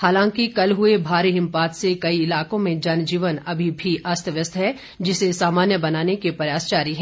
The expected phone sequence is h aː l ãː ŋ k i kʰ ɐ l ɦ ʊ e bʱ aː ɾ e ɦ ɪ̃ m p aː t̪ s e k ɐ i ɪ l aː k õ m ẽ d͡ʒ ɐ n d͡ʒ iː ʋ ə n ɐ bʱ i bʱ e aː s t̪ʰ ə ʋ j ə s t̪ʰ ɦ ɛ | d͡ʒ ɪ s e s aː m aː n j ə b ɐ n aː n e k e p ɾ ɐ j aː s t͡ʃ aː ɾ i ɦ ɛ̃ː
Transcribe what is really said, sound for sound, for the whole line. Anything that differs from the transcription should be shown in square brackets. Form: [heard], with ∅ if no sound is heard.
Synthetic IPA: h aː l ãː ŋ k i [k] ɐ l ɦ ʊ e bʱ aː ɾ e ɦ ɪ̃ m p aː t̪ s e k ɐ i ɪ l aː k õ m ẽ d͡ʒ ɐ n d͡ʒ iː ʋ ə n ɐ bʱ i bʱ [i] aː s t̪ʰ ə ʋ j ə s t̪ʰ ɦ ɛ | d͡ʒ ɪ s e s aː m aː n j ə b ɐ n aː n e k e p ɾ ɐ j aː s t͡ʃ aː ɾ i ɦ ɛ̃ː